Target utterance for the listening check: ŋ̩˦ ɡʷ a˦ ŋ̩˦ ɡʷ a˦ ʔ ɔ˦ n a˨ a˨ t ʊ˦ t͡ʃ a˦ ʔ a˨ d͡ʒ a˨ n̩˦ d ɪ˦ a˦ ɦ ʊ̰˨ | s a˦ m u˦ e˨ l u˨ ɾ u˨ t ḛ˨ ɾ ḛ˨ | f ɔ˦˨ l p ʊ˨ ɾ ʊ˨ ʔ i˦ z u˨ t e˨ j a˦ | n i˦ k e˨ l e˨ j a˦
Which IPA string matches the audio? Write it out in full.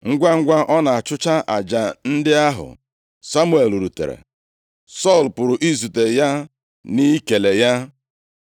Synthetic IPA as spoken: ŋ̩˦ ɡʷ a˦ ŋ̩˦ ɡʷ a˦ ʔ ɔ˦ n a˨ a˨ t͡ʃ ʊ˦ t͡ʃ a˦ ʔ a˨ d͡ʒ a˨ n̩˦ d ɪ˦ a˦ ɦ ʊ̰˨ | s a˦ m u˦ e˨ l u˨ ɾ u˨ t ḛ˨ ɾ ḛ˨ | s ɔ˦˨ l p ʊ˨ ɾ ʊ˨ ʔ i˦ z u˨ t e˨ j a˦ | n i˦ k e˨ l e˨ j a˦